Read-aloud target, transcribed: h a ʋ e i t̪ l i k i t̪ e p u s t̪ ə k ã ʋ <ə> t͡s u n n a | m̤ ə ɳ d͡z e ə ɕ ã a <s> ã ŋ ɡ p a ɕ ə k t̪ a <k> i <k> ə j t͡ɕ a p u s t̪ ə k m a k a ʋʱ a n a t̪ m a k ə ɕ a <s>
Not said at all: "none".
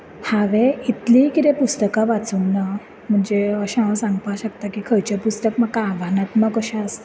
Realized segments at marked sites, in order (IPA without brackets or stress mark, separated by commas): a, s, k, kʰ, s